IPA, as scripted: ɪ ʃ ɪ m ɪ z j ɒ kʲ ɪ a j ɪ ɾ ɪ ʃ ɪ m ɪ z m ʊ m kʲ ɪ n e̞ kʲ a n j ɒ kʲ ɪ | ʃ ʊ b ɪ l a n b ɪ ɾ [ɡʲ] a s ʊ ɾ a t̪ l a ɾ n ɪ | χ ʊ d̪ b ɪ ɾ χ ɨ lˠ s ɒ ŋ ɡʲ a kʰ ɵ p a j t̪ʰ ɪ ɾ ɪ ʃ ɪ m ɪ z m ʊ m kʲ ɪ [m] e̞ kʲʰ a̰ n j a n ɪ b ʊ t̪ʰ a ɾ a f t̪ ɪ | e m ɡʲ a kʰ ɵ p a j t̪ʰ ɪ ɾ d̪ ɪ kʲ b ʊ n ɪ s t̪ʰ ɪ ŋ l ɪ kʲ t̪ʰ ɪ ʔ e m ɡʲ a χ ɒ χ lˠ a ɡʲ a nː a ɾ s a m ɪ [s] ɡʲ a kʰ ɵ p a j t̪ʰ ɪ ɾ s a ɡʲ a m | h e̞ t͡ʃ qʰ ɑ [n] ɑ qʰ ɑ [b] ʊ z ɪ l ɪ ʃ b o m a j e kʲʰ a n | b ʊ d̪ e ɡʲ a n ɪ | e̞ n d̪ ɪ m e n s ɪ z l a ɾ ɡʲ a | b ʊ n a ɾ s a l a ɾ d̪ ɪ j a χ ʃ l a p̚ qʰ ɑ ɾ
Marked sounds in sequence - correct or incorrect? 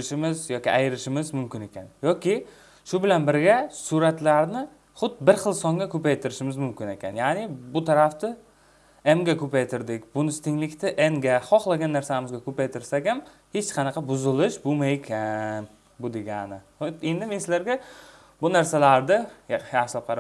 correct, incorrect, incorrect, correct, correct

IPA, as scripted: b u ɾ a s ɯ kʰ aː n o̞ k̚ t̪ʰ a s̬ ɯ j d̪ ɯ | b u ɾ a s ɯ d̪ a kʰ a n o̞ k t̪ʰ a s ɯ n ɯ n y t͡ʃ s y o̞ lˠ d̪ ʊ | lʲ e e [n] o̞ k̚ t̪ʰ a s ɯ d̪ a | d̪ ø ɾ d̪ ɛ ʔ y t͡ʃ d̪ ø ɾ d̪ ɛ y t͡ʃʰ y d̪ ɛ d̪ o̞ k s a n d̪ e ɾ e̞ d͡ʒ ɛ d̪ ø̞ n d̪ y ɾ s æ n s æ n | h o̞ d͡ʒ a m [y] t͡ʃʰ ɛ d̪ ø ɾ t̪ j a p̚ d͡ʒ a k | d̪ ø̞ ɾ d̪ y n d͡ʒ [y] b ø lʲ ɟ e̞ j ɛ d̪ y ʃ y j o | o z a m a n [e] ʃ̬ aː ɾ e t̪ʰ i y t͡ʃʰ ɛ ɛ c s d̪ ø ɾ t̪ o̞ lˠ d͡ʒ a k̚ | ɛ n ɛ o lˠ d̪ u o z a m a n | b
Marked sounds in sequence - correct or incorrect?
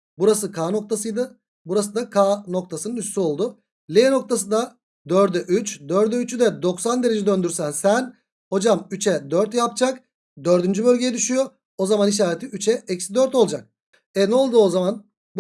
correct, correct, correct, incorrect

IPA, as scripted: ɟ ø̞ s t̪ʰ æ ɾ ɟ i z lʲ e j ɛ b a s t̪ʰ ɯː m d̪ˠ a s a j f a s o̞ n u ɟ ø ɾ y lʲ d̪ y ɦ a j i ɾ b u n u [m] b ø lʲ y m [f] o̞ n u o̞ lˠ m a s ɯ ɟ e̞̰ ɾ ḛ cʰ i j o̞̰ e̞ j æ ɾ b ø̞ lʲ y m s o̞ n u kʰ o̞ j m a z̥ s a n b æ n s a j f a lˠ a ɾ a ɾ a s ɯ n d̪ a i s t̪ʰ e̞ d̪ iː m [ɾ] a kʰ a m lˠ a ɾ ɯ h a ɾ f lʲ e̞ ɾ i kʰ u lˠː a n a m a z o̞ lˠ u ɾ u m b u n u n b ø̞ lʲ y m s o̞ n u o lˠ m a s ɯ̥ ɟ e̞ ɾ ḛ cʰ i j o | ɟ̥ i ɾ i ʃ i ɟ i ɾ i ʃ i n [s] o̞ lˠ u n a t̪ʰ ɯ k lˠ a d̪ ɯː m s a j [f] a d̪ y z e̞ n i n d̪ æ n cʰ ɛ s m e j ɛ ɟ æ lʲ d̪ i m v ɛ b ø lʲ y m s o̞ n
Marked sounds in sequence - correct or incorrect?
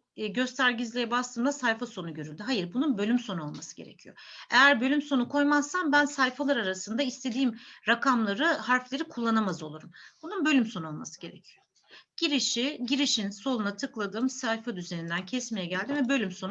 incorrect, incorrect, correct, correct, correct

